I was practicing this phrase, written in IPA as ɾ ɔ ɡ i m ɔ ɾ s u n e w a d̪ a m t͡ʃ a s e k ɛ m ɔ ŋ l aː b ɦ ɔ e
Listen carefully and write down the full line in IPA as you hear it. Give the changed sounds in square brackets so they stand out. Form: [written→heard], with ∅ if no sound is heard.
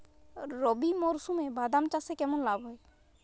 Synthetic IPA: ɾ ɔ [ɡ→b] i m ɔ ɾ s u [n→m] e [w→b] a d̪ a m t͡ʃ a s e k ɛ m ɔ [ŋ→n] l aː b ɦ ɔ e